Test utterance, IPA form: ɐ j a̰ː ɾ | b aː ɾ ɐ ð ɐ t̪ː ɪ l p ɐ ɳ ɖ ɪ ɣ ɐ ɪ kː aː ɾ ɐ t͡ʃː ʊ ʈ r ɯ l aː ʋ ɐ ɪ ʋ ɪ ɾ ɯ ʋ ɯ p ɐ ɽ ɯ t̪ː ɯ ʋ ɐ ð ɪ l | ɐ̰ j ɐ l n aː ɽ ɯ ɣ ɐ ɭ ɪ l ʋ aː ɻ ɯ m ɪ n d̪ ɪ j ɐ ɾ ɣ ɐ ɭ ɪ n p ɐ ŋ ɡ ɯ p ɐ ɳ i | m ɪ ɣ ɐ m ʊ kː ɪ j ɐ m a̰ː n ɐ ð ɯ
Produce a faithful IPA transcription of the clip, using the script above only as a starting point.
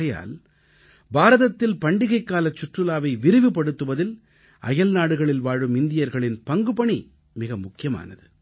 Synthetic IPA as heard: ɐ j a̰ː l | b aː ɾ ɐ ð ɐ t̪ː ɪ l p ɐ ɳ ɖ ɪ ɣ ɐ ɪ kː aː l ɐ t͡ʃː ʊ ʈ r ɯ l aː ʋ ɐ ɪ ʋ ɪ ɾ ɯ ʋ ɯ p ɐ ɽ ɯ t̪ː ɯ ʋ ɐ ð ɪ l | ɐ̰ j ɐ l n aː ɽ ɯ ɣ ɐ ɭ ɪ l ʋ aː ɻ ɯ m ɪ n d̪ ɪ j ɐ ɾ ɣ ɐ ɭ ɪ n p ɐ ŋ ɡ ɯ p ɐ ɳ i | m ɪ ɣ ɐ m ʊ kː ɪ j ɐ m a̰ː n ɐ ð ɯ